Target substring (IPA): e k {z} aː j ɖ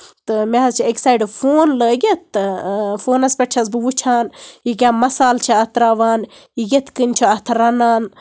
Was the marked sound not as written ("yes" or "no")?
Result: yes